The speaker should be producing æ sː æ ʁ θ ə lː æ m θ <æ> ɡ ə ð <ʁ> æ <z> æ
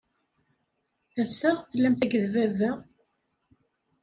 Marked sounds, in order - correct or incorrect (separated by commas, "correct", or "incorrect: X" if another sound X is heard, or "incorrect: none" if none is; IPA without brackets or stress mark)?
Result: correct, incorrect: v, incorrect: v